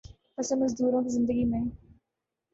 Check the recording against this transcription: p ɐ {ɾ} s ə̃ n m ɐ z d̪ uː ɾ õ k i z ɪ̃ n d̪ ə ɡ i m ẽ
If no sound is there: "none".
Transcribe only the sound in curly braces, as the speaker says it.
none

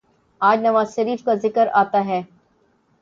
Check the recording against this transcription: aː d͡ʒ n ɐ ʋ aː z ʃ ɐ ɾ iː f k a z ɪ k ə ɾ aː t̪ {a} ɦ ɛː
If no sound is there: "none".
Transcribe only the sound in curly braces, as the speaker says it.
a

